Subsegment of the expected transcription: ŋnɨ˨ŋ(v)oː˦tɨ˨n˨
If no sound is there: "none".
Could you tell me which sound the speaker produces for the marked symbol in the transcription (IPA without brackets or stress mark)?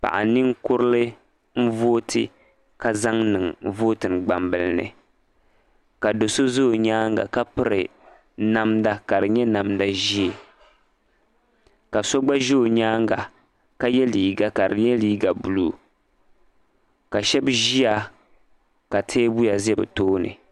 v